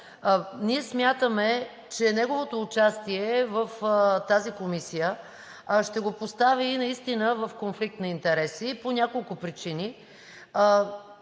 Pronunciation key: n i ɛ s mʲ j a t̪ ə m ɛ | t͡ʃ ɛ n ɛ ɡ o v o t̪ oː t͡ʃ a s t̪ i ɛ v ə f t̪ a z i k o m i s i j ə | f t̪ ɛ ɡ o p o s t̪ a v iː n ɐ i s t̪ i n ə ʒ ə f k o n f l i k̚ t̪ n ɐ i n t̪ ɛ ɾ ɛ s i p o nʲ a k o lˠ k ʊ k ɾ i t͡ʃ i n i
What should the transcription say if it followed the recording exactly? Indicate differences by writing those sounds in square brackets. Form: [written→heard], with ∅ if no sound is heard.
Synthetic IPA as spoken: n i ɛ s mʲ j a t̪ ə m ɛ | t͡ʃ ɛ n ɛ ɡ o v o t̪ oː t͡ʃ a s t̪ i ɛ v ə f t̪ a z i k o m i s i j ə | [f→ʃ] t̪ ɛ ɡ o p o s t̪ a v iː n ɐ i s t̪ i n ə [ʒ→v] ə f k o n f l i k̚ t̪ n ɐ i n t̪ ɛ ɾ ɛ s i p o nʲ a k o lˠ k ʊ [k→p] ɾ i t͡ʃ i n i